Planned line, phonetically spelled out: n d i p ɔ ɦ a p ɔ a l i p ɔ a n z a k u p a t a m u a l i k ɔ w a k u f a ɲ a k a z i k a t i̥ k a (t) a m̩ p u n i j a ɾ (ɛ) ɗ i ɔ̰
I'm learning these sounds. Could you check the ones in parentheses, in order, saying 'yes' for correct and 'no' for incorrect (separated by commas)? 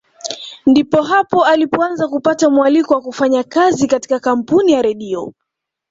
no, yes